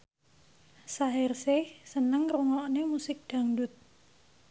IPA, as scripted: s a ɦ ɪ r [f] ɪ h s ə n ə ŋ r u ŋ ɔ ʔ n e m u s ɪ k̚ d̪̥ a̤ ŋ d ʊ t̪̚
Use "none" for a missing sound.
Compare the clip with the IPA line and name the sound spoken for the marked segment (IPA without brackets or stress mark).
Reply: s